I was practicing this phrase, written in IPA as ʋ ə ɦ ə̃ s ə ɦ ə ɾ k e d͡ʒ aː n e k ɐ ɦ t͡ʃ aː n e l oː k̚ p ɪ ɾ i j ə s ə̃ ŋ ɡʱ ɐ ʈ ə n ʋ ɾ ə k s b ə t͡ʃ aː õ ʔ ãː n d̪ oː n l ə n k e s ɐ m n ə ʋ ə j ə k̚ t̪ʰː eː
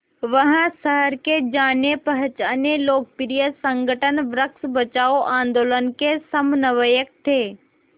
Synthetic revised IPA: ʋ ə ɦ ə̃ s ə ɦ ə ɾ k e d͡ʒ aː n e p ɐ ɦ t͡ʃ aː n e l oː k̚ p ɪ ɾ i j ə s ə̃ ŋ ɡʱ ə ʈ ə n ʋ ɾ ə k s b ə t͡ʃ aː o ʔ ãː n d̪ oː l ə n k e s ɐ m n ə ʋ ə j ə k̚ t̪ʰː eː